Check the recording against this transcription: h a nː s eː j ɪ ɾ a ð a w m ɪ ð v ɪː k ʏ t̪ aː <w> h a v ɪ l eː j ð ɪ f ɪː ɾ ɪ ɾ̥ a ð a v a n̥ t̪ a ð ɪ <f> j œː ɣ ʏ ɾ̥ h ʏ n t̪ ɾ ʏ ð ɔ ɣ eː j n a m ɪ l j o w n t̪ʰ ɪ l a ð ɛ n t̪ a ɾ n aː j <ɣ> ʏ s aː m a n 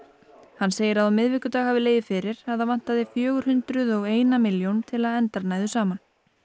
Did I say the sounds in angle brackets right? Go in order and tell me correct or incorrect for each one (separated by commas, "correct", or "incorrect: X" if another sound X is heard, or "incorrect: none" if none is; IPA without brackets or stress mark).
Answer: incorrect: ɣ, correct, incorrect: ð